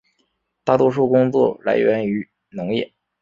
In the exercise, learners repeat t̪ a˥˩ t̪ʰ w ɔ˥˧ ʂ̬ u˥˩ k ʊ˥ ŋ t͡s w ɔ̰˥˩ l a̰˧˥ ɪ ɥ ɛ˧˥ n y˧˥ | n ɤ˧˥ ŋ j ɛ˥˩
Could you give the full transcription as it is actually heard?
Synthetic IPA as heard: t̪ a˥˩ t̪ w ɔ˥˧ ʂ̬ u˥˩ k ʊ˥ ŋ t͡s w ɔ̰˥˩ l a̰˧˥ ɪ ɥ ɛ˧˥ n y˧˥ | n ɤ˧˥ ŋ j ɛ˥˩